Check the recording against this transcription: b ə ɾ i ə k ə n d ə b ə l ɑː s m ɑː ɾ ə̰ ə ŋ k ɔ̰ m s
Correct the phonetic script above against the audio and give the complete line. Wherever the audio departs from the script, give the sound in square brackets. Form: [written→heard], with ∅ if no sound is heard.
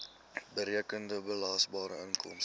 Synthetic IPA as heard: b ə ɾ i ə k ə n d ə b ə l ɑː s [m→b] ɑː ɾ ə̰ ə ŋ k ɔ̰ m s